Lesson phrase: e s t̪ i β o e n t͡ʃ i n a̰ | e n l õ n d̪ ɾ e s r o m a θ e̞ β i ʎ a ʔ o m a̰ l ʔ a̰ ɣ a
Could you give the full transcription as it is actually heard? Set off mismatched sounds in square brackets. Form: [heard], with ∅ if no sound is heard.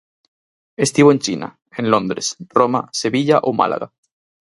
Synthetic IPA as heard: e s t̪ i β o e n t͡ʃ i n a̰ | e n l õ n d̪ ɾ e s r o m a [s] e̞ β i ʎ a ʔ o m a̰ l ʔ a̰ ɣ a